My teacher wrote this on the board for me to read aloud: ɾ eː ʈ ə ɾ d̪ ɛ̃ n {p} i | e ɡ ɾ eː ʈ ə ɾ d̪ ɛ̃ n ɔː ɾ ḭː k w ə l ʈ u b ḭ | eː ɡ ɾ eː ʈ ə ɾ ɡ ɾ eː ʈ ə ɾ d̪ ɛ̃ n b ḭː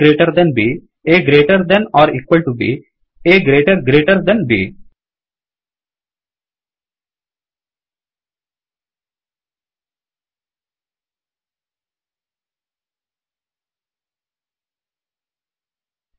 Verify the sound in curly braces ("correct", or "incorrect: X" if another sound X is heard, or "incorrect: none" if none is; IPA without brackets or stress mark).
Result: incorrect: b